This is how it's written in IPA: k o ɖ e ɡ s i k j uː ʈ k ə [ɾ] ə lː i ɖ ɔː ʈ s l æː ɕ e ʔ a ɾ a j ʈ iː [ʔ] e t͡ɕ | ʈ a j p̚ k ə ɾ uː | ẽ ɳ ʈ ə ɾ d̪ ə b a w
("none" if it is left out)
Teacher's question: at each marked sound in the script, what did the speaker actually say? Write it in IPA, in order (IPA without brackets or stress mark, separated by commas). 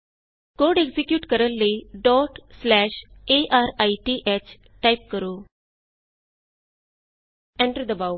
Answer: ɾ, ʔ